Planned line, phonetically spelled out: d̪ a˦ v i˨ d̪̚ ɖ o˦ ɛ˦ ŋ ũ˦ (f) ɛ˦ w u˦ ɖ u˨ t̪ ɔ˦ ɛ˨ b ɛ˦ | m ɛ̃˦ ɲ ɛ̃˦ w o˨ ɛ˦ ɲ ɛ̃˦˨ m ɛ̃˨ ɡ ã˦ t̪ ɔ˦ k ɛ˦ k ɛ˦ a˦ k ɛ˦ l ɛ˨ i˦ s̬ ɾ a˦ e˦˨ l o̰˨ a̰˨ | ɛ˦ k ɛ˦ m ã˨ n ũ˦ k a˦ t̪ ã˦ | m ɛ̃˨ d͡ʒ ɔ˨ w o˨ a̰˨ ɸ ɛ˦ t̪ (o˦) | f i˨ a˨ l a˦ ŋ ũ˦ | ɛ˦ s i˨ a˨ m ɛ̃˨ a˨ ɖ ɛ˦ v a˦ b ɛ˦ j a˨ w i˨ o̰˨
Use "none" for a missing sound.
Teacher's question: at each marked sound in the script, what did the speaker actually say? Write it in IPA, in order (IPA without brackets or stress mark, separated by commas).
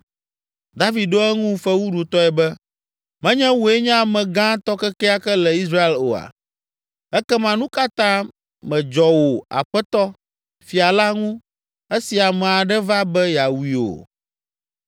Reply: f, ɔ˦